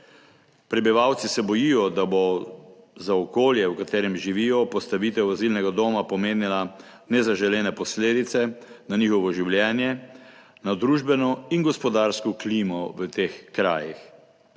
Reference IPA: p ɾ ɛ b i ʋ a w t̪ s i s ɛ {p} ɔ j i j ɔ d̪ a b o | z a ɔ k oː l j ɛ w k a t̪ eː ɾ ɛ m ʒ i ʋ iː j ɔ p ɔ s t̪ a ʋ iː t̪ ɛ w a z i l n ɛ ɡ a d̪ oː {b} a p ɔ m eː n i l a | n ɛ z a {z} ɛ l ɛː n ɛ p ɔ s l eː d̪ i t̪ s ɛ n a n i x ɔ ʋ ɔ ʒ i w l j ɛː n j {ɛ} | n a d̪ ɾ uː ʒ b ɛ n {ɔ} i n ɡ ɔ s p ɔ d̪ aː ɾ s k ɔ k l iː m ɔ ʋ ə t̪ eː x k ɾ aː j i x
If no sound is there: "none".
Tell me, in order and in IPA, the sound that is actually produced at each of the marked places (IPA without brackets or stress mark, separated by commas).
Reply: b, m, ʒ, ɛ, ɔ